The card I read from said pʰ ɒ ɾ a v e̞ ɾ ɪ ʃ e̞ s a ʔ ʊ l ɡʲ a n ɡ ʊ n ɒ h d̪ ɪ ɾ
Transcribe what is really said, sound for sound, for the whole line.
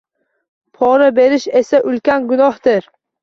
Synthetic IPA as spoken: pʰ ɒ ɾ a b e̞ ɾ ɪ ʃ e̞ s a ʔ ʊ l kʲ a n ɡ ʊ n ɒ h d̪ ɪ ɾ

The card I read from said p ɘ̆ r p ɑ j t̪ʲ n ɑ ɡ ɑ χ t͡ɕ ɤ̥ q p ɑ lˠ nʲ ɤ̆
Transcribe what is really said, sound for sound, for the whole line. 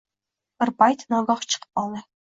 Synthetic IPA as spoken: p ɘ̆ r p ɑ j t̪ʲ n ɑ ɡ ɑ χ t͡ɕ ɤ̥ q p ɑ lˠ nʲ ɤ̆

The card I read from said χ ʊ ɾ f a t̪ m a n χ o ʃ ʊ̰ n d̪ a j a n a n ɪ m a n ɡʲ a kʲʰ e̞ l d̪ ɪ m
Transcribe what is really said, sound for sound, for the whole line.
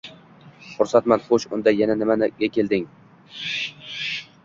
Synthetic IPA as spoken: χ ʊ ɾ s a t̪ m a n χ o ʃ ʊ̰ n d̪ a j a n a n ɪ m a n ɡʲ a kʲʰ e̞ l d̪ ɪ ŋ

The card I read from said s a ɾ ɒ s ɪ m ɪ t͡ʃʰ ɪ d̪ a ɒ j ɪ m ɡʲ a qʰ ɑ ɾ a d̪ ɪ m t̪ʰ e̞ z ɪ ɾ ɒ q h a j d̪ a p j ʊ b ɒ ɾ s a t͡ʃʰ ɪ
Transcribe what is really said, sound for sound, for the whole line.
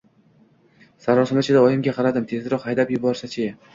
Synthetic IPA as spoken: s a ɾ ɒ s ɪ m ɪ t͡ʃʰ ɪ d̪ a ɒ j ɪ m ɡʲ a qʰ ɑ ɾ a d̪ ɪ m t̪ʰ e̞ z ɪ ɾ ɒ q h a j d̪ a p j ʊ b ɒ ɾ s a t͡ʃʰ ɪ

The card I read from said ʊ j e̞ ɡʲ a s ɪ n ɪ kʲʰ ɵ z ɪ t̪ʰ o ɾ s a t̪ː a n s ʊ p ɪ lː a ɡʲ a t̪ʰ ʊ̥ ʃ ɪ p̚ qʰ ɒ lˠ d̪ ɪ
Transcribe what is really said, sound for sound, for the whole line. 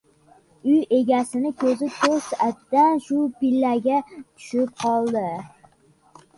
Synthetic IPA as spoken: ʊ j e̞ ɡʲ a s ɪ n ɪ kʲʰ ɵ z ɪ t̪ʰ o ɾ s a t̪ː a n ʃ ʊ p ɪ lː a ɡʲ a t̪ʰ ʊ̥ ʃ ɪ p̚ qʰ ɒ lˠ d̪ ɪ

